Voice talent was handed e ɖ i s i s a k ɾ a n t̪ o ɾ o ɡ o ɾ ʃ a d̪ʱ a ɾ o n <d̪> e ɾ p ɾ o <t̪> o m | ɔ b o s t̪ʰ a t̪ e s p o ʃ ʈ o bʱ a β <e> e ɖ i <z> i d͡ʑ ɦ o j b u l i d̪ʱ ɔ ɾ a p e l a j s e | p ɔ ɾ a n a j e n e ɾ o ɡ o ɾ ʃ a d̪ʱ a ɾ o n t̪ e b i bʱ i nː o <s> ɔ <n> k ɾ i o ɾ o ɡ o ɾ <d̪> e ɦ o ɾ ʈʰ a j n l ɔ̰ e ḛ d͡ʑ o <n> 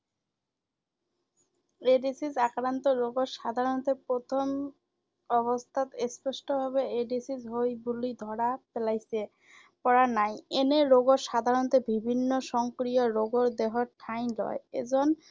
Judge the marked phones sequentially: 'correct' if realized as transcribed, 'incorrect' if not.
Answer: incorrect: t̪, incorrect: t̪ʰ, correct, incorrect: s, incorrect: ʃ, incorrect: ŋ, correct, correct

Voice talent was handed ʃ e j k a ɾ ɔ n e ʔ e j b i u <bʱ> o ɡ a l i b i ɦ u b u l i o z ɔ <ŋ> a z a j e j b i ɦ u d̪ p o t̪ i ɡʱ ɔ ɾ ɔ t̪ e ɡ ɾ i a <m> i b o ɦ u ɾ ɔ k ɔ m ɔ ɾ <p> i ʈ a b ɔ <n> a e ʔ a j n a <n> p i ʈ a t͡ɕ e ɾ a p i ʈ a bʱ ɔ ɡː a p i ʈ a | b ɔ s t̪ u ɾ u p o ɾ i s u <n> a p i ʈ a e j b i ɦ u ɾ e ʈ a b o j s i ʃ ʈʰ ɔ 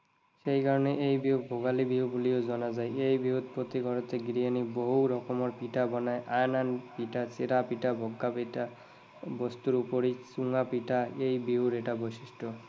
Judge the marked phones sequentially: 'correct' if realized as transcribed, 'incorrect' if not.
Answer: correct, incorrect: n, incorrect: n, correct, correct, correct, incorrect: ŋ

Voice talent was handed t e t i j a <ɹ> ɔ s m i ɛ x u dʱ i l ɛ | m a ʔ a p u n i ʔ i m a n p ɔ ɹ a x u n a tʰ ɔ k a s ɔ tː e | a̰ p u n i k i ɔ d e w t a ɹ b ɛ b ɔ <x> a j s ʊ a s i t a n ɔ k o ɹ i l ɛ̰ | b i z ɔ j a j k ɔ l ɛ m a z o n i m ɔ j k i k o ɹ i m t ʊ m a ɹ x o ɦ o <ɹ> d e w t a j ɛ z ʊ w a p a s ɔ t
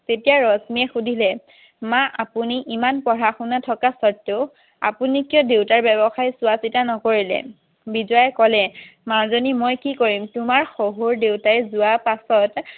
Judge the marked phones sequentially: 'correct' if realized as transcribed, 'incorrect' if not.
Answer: correct, correct, correct

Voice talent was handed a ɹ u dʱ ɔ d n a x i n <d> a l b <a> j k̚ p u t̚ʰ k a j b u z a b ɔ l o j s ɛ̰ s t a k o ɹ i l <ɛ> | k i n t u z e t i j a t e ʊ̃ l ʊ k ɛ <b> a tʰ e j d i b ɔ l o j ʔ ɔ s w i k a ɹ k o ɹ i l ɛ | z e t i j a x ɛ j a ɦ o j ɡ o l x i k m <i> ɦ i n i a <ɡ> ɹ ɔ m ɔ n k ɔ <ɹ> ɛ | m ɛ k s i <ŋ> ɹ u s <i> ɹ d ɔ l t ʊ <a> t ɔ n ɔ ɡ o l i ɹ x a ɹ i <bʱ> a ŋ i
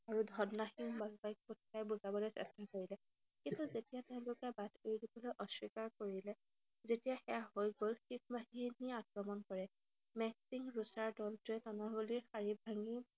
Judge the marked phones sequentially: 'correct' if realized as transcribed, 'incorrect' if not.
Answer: incorrect: b, correct, correct, correct, incorrect: a, incorrect: k, correct, correct, incorrect: a, incorrect: ɛ, correct

